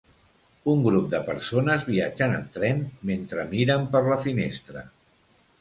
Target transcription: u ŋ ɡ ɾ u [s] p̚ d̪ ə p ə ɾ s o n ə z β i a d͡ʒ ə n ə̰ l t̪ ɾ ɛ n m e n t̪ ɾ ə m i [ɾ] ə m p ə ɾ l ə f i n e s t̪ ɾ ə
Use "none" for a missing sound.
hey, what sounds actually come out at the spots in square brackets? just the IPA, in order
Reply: none, ɾ

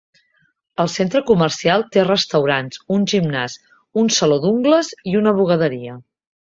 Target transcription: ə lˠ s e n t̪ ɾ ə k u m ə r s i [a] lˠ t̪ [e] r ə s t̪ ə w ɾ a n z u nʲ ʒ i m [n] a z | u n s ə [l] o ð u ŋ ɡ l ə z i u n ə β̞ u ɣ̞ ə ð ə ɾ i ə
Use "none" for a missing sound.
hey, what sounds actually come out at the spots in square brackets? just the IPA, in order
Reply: a, e, n, l

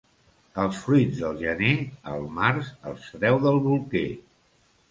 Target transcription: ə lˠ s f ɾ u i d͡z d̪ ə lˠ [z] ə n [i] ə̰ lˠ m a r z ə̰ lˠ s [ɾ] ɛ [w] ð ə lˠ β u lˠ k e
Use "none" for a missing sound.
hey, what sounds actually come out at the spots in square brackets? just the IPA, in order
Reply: ʒ, e, ɾ, w

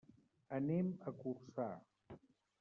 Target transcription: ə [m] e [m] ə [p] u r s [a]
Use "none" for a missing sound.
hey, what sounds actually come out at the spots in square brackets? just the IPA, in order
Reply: n, m, k, a

